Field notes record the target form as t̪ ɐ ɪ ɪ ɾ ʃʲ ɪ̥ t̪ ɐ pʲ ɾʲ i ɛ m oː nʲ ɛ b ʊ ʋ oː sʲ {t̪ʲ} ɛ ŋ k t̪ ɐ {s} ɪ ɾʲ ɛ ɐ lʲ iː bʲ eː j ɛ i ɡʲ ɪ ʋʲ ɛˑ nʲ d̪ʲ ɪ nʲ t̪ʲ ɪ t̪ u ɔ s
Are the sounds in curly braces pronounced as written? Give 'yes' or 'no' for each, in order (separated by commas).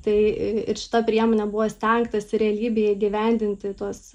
yes, yes